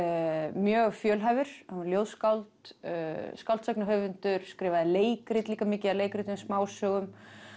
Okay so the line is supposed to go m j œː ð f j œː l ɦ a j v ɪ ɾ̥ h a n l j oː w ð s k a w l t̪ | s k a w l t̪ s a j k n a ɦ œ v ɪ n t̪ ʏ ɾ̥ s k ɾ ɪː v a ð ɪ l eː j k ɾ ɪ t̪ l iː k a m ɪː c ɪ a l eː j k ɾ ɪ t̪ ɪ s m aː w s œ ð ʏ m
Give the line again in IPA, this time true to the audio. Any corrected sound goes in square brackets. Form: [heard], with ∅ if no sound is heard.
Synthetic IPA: m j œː [ɣ] f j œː l ɦ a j v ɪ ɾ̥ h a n l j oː w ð s k a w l t̪ | s k a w l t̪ s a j k n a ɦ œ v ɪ n t̪ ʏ ɾ̥ s k ɾ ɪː v a ð ɪ l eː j k ɾ ɪ t̪ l iː k a m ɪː c ɪ a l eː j k ɾ ɪ t̪ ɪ s m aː w s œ [ɣ] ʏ m